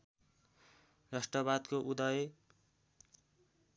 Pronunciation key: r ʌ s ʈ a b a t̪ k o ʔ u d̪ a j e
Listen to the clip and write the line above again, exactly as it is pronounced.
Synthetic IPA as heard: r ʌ s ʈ ʌ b a d̪ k o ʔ u d̪ ʌ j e

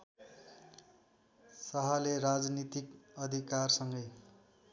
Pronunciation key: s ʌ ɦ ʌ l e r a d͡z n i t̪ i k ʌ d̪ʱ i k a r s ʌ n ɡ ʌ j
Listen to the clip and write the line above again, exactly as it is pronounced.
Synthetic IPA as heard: s ʌ ɦ ʌ l e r a d͡z n i t̪ i k ʌ d̪ʱ i k a r s ʌ ŋ ɡ ʌ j

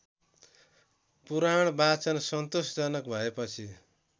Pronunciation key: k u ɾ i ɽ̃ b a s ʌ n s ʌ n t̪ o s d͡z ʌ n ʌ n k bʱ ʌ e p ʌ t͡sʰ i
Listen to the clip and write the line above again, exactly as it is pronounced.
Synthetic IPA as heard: p u ɾ a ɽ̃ b a t͡s ʌ n s ʌ n t̪ o s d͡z ʌ n ʌ k bʱ ʌ e p ʌ t͡sʰ i

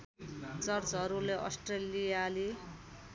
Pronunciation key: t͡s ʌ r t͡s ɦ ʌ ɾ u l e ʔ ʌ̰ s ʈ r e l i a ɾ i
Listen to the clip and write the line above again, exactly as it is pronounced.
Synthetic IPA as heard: t͡s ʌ r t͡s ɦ ʌ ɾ u l e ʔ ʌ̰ s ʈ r e l i a l i

